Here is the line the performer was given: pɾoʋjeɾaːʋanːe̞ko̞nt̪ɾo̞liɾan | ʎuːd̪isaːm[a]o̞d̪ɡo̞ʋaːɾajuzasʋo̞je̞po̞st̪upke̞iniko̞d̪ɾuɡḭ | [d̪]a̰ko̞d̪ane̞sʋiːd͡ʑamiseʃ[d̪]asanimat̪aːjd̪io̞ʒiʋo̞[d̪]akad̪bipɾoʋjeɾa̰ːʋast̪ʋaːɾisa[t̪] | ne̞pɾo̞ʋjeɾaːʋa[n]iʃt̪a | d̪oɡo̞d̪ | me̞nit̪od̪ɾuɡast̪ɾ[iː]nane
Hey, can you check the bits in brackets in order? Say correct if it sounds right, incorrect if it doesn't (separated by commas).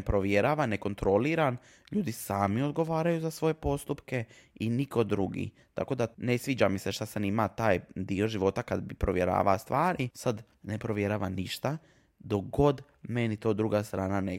incorrect, incorrect, incorrect, incorrect, incorrect, correct, incorrect